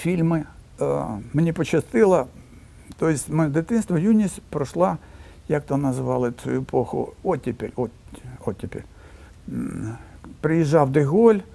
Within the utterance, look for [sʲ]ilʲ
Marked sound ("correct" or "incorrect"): incorrect